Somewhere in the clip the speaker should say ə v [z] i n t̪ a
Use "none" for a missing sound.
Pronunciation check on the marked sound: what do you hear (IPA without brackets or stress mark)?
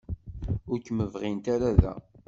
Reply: ʁ